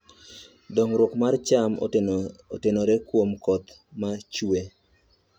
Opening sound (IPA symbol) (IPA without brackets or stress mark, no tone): d